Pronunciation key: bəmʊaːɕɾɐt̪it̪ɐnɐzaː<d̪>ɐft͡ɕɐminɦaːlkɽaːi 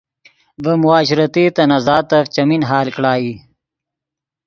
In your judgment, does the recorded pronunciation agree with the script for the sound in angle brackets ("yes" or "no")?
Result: no